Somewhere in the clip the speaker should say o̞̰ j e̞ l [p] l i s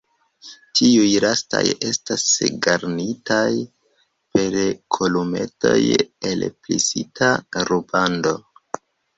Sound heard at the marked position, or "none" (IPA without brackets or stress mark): p